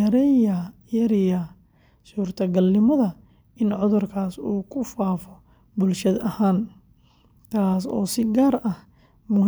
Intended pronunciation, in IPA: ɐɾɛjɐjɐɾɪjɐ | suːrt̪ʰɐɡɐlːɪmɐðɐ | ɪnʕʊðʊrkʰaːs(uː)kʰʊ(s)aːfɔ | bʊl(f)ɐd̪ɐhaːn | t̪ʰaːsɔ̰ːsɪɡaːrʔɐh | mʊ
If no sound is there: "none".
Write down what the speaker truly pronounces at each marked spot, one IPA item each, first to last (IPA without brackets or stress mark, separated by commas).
uː, f, ʃ